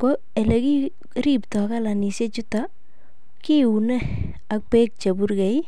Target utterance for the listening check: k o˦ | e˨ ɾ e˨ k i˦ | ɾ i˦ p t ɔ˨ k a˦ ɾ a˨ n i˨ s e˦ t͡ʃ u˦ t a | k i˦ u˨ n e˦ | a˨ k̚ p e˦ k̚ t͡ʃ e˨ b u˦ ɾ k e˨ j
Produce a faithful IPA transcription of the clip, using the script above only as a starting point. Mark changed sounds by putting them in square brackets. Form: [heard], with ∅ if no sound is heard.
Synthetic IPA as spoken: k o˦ | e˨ [l] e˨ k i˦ | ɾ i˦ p t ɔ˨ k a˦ [l] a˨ n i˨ s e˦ t͡ʃ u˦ t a | k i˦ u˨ n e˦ | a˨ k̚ p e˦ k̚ t͡ʃ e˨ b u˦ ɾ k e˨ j